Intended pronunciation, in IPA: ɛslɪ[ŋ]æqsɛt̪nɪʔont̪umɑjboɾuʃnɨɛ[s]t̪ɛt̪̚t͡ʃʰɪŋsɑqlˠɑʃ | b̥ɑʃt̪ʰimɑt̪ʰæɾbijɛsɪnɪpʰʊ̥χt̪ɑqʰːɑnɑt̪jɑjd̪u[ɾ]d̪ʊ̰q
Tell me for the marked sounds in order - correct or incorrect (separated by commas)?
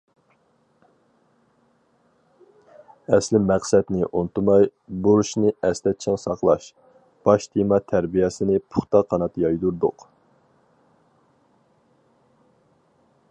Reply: incorrect, correct, correct